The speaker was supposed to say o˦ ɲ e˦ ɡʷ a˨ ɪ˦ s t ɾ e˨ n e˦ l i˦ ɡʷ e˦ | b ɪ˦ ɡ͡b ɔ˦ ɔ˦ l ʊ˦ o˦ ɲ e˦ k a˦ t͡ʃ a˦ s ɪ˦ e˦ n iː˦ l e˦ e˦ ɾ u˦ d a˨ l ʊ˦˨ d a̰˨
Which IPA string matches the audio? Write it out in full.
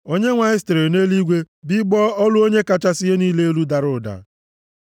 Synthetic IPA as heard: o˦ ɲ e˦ ŋʷ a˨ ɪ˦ s t ɾ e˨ n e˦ l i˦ ɡʷ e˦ | b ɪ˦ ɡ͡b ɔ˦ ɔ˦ l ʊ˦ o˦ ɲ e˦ k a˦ t͡ʃ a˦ s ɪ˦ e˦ n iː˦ l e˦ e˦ l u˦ d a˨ ɾ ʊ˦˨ d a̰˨